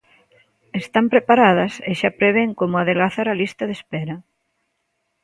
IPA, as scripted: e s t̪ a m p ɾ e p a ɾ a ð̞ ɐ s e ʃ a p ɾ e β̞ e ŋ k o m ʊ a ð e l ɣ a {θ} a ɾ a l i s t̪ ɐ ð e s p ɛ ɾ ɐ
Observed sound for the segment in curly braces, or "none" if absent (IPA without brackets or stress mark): θ